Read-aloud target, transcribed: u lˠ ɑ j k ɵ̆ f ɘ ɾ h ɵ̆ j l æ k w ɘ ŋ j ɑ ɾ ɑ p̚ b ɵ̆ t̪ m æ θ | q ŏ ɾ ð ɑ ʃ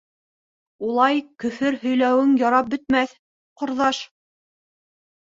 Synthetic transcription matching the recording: u lˠ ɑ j k ɵ̆ f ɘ ɾ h ɵ̆ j l æ w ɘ ŋ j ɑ ɾ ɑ p̚ b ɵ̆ t̪ m æ θ | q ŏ ɾ ð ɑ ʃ

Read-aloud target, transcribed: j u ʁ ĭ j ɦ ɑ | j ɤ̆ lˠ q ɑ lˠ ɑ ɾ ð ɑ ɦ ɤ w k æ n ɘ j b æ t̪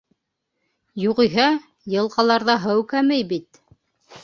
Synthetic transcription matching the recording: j u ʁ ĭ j ɦ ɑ | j ɤ̆ lˠ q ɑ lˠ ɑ ɾ ð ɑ ɦ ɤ w k æ m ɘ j b i t̪

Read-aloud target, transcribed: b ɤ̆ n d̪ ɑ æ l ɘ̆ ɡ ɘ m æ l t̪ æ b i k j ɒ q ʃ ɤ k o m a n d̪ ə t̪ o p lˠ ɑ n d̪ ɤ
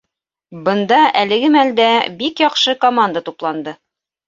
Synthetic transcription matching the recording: b ɤ̆ n d̪ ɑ æ l ɘ̆ ɡ ɘ m æ l d̪ æ b i k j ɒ q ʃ ɤ k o m a n d̪ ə t̪ u p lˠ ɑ n d̪ ɤ

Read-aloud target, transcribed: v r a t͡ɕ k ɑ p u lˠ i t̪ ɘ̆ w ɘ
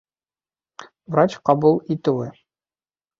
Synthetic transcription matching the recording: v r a t͡ɕ q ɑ b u lˠ i t̪ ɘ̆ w ɘ

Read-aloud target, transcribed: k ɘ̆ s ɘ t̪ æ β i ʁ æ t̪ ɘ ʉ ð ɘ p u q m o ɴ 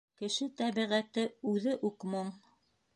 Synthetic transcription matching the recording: k ɘ̆ ʃ ɘ t̪ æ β i ʁ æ t̪ ɘ ʉ ð ɘ ʔ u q m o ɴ

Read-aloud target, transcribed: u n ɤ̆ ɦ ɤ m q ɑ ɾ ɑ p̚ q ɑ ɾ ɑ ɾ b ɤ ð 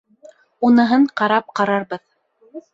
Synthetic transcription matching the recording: u n ɤ̆ ɦ ɤ ɴ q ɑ ɾ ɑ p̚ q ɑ ɾ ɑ ɾ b ɤ ð

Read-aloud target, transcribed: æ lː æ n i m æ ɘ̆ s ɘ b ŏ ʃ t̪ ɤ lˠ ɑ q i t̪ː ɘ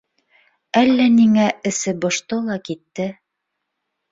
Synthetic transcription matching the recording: æ lː æ n i ŋ æ ɘ̆ s ɘ b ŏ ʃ t̪ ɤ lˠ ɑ k i t̪ː ɘ

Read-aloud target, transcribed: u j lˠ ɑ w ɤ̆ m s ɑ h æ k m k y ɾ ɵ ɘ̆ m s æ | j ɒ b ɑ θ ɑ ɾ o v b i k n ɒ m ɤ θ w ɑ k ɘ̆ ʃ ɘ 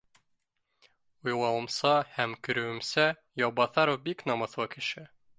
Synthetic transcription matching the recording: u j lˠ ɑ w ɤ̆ m s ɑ h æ m k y ɾ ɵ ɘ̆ m s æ | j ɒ b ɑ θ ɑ ɾ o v b i k n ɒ m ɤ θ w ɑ k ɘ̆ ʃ ɘ

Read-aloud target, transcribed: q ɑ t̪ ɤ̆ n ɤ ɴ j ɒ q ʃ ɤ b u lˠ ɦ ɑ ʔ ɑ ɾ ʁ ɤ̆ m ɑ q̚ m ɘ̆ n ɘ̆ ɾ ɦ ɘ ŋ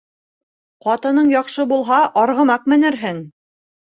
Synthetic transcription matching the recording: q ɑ t̪ ɤ̆ n ɤ ɴ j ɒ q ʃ ɤ b u lˠ ɦ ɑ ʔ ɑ ɾ ʁ ɤ̆ m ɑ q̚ m ɘ̆ n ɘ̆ ɾ ɦ ɘ ŋ

